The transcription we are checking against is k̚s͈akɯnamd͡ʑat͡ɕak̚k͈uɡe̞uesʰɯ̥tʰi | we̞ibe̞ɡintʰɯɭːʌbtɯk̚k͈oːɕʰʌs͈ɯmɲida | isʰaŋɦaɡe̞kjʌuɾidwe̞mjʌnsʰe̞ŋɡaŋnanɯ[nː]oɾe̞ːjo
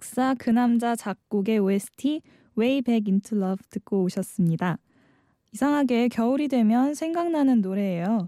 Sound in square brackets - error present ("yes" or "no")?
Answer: no